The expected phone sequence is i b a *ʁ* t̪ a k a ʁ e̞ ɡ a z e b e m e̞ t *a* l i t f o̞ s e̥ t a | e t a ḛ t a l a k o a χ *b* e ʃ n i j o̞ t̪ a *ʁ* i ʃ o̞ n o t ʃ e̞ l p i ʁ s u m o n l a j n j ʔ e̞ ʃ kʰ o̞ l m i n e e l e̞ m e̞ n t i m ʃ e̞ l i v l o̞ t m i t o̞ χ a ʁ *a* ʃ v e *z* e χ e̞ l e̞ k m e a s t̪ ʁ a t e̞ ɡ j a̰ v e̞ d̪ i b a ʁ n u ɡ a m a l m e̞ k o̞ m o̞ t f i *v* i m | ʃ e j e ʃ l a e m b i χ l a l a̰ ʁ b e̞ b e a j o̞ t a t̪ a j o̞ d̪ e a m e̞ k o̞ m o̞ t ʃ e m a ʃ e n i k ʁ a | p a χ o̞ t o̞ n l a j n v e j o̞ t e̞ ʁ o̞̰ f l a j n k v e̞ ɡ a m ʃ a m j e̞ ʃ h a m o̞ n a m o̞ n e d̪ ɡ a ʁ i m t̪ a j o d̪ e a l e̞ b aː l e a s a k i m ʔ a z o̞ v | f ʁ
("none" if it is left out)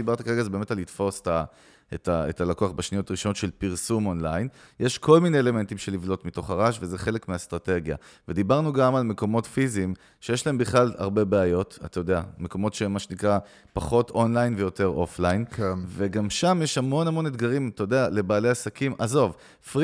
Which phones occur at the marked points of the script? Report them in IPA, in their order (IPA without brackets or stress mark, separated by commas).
ʁ, a, b, ʁ, a, z, z